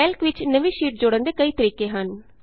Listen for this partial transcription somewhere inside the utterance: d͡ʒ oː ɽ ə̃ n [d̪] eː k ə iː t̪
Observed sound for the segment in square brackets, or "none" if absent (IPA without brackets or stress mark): d̪